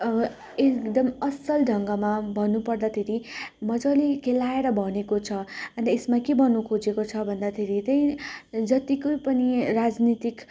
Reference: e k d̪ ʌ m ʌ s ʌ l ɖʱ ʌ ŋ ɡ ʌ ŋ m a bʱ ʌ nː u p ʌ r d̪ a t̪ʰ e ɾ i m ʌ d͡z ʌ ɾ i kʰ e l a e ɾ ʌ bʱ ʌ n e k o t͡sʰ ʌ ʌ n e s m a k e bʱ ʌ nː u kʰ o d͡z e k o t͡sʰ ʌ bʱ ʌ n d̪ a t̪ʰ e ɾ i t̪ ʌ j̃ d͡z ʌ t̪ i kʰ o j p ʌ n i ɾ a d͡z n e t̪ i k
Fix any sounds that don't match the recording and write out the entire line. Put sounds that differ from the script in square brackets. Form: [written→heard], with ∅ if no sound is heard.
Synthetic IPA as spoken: e k d̪ ʌ m ʌ s ʌ l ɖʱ ʌ ŋ ɡ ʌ [ŋ→∅] m a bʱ ʌ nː u p ʌ r d̪ a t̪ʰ e ɾ i m ʌ d͡z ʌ [ɾ→l] i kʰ e l a e ɾ ʌ bʱ ʌ n e k o t͡sʰ ʌ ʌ n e s m a k e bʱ ʌ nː u kʰ o d͡z e k o t͡sʰ ʌ bʱ ʌ n d̪ a t̪ʰ e ɾ i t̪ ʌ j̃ d͡z ʌ t̪ i [kʰ→k] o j p ʌ n i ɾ a d͡z n [e→i] t̪ i k